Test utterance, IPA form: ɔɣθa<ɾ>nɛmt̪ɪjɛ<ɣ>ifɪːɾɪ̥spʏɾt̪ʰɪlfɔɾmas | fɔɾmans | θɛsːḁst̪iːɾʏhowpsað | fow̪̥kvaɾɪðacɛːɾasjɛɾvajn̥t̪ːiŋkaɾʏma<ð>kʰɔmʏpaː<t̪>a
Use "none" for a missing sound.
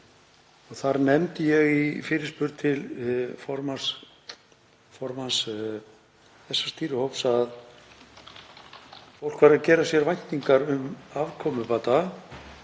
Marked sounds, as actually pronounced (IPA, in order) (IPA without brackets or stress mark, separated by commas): ɾ, ɣ, v, t̪